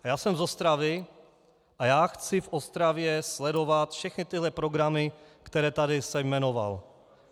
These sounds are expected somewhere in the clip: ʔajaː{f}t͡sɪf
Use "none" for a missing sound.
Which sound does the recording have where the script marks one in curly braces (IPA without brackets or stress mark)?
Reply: x